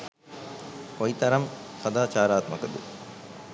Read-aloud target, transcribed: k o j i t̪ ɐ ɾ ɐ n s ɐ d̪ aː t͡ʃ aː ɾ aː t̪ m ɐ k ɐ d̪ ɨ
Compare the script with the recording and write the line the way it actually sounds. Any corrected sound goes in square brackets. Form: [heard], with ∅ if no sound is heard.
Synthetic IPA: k o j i t̪ ɐ ɾ ɐ [m] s ɐ d̪ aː t͡ʃ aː ɾ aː t̪ m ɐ k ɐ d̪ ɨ